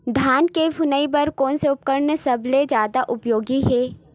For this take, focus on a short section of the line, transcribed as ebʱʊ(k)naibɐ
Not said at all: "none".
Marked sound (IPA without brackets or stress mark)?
none